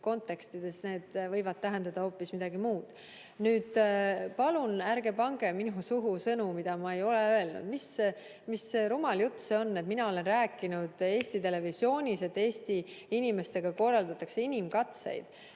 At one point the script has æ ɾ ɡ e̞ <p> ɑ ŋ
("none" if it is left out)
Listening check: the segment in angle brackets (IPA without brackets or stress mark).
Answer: p